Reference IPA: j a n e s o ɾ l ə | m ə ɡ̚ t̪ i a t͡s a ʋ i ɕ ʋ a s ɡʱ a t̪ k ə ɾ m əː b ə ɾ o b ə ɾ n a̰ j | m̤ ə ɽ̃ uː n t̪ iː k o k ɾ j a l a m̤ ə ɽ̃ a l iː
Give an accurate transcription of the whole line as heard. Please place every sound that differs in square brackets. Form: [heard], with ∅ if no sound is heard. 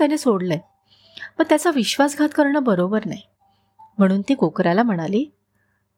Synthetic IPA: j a n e s o [ɽ] l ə | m ə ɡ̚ t̪ [j] a t͡s a ʋ i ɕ ʋ a s ɡʱ a t̪ k ə ɾ [ɳ] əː b ə ɾ o b ə ɾ n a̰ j | m̤ ə ɽ̃ uː n t̪ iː k o k ɾ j a l a m̤ ə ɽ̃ a l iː